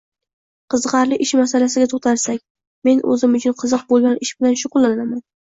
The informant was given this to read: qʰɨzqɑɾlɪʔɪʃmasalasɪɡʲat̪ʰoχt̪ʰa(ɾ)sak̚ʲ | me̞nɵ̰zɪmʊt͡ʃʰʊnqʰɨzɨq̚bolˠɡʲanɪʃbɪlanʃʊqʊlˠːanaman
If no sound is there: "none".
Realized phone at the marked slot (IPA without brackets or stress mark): ɾ